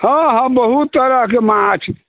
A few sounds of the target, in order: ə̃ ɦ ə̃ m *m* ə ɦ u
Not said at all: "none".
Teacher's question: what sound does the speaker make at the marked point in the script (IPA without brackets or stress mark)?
b